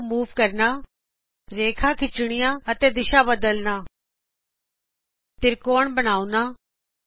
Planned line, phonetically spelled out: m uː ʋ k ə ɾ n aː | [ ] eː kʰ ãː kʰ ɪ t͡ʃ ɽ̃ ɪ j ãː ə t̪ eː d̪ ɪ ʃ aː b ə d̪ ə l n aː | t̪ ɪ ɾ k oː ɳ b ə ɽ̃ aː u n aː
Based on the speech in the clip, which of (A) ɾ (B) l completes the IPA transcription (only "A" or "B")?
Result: A